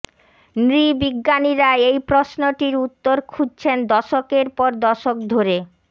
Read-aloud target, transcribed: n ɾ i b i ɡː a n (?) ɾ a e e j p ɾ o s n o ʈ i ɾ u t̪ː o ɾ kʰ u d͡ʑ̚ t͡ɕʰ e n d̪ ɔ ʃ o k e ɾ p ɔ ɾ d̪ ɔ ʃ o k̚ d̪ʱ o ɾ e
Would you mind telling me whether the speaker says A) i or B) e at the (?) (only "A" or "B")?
A